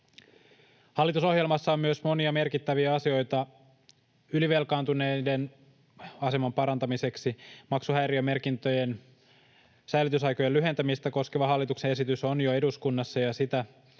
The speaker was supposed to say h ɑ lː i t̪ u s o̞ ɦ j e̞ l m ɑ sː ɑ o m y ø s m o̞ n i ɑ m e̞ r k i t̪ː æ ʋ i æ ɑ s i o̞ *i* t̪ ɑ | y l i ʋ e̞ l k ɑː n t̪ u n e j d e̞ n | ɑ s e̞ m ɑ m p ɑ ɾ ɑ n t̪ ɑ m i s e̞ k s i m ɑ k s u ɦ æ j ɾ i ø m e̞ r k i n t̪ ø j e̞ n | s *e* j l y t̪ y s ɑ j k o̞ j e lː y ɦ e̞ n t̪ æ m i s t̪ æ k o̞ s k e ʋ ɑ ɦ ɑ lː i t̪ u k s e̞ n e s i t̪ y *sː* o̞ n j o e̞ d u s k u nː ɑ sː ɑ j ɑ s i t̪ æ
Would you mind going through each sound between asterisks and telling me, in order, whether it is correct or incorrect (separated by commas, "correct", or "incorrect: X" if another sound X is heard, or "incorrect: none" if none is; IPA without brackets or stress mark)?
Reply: incorrect: j, incorrect: æ, incorrect: s